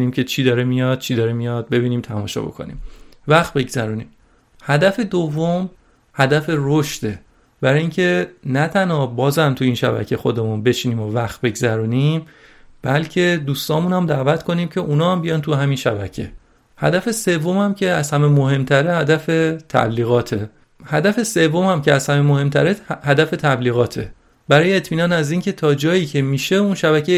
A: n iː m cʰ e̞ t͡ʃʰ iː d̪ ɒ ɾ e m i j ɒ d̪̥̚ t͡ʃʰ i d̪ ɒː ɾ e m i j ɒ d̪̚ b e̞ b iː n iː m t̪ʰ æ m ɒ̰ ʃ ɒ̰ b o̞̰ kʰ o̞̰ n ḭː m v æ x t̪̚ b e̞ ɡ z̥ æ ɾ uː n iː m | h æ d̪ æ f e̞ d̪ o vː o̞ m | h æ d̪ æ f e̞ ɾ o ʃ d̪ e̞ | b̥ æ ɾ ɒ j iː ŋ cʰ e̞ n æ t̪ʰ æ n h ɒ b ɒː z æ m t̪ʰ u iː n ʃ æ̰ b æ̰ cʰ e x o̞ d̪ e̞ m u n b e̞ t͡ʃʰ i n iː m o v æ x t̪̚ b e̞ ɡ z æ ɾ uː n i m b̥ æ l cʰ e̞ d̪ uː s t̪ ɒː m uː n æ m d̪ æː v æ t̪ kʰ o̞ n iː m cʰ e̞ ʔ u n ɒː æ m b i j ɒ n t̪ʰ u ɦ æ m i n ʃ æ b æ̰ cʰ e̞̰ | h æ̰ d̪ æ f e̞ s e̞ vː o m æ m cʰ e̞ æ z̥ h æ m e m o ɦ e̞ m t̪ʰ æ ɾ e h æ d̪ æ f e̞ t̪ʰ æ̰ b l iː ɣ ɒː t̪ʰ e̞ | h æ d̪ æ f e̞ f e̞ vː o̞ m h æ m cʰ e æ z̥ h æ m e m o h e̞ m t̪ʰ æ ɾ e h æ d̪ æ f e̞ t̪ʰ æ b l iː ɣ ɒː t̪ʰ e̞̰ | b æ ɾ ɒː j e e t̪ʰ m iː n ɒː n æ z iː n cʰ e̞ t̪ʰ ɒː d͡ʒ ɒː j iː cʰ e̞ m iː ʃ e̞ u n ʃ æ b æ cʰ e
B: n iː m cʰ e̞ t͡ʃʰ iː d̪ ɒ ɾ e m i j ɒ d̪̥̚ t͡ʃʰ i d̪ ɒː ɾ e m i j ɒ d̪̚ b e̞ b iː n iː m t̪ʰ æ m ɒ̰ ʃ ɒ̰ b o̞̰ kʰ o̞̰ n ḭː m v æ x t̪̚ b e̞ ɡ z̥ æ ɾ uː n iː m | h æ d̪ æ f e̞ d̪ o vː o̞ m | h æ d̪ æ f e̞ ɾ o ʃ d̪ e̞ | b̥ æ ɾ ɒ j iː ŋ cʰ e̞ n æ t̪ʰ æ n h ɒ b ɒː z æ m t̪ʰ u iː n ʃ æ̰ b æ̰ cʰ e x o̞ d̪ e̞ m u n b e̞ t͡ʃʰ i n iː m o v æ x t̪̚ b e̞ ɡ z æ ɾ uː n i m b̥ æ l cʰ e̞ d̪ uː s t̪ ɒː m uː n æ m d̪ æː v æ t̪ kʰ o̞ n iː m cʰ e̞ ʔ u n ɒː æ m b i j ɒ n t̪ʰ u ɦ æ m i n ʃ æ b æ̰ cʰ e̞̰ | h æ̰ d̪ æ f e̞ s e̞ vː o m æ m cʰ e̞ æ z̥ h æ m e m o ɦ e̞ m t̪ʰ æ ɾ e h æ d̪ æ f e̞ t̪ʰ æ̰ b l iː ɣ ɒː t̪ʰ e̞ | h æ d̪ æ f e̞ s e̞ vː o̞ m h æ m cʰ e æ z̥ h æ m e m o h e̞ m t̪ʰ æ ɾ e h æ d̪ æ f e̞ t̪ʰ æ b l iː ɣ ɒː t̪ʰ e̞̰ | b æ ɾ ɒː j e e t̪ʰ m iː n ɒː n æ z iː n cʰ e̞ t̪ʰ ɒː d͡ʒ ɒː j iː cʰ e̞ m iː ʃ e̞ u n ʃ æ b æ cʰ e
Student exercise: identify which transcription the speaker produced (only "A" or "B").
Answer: B